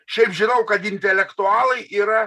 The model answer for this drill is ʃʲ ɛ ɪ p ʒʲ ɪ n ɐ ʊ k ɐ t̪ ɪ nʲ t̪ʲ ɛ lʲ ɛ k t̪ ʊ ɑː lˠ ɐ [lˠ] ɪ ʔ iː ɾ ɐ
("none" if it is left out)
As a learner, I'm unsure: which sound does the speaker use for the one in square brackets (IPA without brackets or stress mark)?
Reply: none